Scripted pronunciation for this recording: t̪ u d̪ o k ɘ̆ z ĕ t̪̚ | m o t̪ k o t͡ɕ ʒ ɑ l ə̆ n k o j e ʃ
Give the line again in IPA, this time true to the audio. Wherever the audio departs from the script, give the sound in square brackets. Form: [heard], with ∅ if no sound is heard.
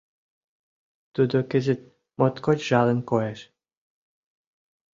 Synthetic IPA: t̪ u d̪ o k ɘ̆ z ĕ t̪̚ | m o t̪ k o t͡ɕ ʒ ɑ l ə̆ n k o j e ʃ